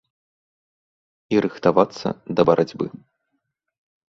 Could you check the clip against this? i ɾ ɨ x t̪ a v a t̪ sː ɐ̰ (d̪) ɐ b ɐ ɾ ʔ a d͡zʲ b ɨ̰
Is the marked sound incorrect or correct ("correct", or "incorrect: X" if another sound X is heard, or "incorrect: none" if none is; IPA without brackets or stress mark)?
correct